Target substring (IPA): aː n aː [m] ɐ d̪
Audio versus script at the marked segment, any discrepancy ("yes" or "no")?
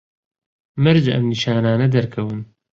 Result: yes